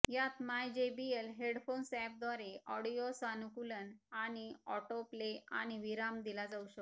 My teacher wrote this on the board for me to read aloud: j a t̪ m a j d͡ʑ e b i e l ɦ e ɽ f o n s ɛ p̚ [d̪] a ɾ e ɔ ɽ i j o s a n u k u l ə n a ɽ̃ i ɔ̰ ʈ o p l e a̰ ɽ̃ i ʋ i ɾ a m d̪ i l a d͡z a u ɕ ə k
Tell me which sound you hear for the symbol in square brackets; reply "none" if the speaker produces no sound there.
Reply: d̪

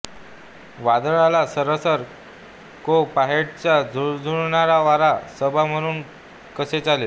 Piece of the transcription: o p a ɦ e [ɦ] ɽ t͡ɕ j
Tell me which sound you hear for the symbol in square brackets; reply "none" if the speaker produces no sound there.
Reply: none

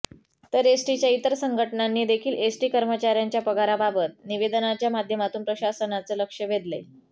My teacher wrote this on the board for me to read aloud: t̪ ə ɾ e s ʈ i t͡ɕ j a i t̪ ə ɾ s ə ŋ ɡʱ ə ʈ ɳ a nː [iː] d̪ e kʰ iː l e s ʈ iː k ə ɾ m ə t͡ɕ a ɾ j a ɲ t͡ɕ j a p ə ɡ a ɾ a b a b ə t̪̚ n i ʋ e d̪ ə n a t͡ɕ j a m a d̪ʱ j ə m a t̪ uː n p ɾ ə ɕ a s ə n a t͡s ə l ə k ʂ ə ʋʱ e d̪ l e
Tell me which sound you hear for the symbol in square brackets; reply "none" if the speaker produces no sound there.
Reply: iː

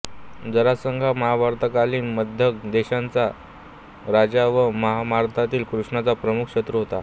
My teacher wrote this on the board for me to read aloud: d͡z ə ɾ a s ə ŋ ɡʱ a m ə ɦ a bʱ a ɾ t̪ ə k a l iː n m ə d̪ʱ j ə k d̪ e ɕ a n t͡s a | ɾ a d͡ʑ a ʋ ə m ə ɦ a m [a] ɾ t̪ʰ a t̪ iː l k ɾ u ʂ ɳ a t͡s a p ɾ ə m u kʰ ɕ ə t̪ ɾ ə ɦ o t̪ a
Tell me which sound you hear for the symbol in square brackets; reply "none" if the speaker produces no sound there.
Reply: a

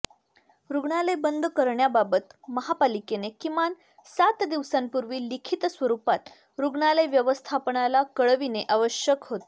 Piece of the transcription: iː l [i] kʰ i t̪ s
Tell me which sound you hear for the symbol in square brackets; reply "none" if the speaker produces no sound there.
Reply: i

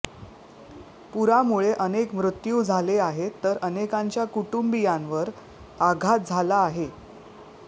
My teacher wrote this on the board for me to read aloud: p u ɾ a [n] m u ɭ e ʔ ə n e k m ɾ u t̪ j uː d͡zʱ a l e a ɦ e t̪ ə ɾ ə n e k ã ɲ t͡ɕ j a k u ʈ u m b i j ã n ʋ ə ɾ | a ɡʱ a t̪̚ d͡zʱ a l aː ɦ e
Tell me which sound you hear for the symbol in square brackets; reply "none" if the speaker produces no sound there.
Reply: none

